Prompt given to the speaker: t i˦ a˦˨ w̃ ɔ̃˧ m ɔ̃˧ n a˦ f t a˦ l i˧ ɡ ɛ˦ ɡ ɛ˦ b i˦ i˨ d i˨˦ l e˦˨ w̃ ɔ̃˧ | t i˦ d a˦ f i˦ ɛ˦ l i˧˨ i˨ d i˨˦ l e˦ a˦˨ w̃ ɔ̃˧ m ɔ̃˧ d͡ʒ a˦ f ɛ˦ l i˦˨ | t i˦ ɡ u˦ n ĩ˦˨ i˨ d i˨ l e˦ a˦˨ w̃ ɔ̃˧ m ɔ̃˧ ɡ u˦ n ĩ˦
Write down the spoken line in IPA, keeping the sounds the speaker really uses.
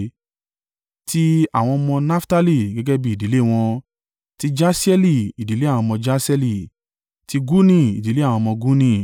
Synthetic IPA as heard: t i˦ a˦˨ w̃ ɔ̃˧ m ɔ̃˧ n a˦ f t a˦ l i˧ ɡ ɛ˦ ɡ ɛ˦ b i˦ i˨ d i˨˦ l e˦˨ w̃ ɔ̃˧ | t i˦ d͡ʒ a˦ s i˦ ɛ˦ l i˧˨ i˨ d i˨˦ l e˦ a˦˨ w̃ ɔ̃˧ m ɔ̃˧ d͡ʒ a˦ s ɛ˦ l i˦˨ | t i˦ ɡ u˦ n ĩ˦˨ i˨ d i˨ l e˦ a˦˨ w̃ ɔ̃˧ m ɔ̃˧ ɡ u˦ n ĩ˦